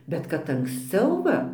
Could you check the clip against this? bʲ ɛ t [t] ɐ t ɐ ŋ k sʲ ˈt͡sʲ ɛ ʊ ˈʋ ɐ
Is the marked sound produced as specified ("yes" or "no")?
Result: no